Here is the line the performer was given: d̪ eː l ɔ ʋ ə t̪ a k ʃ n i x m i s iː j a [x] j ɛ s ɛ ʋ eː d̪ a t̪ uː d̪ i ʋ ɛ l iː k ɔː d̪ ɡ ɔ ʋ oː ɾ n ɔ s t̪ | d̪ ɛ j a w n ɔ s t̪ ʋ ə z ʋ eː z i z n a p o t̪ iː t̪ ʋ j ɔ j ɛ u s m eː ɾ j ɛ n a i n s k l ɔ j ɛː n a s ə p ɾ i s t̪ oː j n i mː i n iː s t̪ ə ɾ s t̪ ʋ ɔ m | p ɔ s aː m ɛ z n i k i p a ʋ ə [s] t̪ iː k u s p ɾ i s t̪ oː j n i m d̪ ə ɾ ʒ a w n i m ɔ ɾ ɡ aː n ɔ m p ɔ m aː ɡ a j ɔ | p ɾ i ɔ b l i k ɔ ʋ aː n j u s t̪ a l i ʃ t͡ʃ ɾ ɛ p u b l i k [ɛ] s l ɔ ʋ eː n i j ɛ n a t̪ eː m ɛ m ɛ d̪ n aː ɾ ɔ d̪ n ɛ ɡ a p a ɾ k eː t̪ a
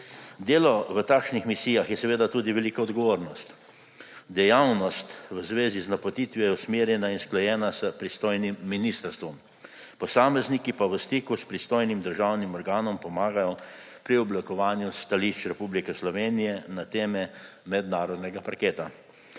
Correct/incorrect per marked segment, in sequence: correct, correct, correct

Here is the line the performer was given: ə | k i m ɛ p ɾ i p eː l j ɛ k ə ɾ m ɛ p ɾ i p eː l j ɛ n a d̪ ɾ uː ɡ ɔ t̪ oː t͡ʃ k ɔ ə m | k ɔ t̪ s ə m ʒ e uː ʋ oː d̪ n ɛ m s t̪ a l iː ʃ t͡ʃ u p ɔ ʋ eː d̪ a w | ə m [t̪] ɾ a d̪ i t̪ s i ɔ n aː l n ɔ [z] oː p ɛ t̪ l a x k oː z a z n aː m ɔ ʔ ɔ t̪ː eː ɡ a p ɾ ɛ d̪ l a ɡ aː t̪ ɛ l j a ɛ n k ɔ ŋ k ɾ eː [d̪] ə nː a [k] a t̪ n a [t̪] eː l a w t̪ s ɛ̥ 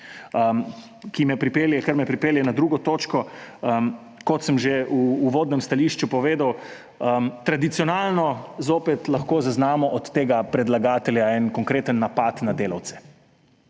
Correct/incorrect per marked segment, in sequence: correct, correct, incorrect: t̪, incorrect: p, incorrect: d̪

